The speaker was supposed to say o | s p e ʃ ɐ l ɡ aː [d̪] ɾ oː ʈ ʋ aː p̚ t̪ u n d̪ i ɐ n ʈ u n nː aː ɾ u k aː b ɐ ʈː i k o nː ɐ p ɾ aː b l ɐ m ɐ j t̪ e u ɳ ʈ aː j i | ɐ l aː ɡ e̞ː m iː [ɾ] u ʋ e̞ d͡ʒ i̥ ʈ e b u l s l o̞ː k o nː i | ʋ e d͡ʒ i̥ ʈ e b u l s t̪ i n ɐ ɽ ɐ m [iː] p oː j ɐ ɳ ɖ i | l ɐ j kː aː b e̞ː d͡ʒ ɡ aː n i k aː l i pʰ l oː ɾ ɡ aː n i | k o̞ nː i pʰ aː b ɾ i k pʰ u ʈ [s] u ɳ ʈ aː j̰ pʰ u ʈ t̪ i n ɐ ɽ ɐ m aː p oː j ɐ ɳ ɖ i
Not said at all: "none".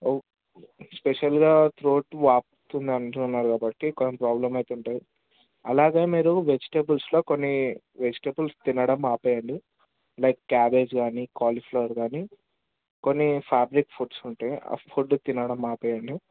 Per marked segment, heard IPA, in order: t̪, ɾ, aː, s

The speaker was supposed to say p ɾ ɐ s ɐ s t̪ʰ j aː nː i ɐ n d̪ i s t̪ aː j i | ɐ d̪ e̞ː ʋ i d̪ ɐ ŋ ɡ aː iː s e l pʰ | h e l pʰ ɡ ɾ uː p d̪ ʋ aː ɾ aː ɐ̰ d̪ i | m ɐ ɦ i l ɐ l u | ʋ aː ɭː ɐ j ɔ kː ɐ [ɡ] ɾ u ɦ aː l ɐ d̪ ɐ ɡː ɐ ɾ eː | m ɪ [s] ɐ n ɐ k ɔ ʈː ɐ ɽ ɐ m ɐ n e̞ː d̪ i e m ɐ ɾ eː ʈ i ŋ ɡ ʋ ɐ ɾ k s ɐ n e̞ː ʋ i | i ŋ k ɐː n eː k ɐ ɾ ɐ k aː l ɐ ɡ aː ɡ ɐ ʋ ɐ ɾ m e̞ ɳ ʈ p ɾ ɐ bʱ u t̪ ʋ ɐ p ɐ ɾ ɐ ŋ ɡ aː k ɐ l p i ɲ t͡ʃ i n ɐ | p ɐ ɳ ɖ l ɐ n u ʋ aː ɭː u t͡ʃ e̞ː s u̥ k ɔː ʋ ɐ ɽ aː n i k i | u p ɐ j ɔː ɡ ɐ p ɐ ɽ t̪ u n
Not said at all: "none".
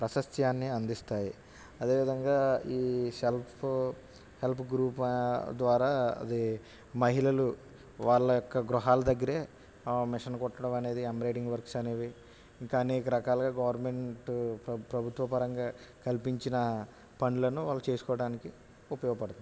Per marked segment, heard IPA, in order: ɡ, ʂ

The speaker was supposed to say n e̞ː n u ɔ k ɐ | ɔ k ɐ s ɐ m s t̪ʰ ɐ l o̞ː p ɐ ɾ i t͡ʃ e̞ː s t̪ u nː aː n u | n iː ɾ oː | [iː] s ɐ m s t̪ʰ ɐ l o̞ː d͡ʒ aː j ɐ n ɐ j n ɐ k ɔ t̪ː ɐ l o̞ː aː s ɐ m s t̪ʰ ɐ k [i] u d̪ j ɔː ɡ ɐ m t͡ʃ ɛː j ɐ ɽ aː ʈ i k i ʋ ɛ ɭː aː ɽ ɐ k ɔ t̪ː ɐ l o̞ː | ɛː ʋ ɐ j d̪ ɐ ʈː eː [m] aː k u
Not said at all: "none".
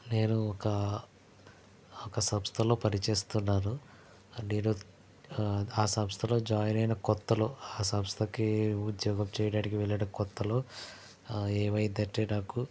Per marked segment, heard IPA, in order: aː, i, n

